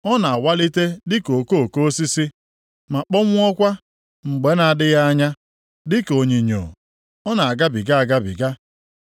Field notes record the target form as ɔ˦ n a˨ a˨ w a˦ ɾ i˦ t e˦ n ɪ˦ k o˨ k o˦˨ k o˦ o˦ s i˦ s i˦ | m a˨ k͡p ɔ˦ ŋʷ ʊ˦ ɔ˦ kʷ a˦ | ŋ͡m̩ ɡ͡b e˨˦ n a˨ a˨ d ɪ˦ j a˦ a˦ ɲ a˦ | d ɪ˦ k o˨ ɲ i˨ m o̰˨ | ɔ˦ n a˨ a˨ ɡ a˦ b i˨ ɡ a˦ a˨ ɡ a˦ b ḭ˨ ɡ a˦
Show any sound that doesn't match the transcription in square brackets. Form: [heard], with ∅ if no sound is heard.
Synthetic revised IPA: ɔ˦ n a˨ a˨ w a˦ [l] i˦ t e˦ [d] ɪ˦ k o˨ k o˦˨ k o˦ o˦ s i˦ s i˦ | m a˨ k͡p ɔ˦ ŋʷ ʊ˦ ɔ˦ kʷ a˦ | ŋ͡m̩ ɡ͡b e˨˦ n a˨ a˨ d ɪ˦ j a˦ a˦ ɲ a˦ | d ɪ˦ k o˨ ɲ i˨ [ɲ] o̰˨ | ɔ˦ n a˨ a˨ ɡ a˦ b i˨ ɡ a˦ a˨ ɡ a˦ b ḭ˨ ɡ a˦

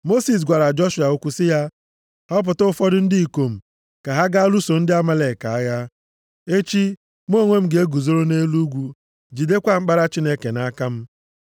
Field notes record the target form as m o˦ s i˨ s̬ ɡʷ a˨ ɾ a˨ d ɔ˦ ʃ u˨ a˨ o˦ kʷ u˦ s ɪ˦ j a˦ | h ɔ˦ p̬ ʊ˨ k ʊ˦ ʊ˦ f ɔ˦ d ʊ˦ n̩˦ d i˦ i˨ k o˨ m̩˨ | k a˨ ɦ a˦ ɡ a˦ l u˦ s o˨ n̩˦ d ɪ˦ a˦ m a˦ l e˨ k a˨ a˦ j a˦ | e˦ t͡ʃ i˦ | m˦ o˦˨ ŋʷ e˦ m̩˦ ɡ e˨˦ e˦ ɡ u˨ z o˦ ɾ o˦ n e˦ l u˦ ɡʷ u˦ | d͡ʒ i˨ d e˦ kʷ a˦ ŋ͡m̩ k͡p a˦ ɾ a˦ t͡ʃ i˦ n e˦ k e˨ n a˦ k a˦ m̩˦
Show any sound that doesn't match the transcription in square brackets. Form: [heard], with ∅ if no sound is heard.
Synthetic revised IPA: m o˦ s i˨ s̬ ɡʷ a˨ ɾ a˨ [d͡ʒ] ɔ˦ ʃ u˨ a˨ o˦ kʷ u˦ s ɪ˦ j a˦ | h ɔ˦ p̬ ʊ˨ [t] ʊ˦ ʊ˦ f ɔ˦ d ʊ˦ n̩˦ d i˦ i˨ k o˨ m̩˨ | k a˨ ɦ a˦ ɡ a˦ l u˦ s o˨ n̩˦ d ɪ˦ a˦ m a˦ l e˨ k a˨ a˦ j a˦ | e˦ t͡ʃ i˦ | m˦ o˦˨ ŋʷ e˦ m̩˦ ɡ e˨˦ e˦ ɡ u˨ z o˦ ɾ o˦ n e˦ l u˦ ɡʷ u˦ | d͡ʒ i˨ d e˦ kʷ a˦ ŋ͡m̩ k͡p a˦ ɾ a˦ t͡ʃ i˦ n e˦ k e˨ n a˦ k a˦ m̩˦

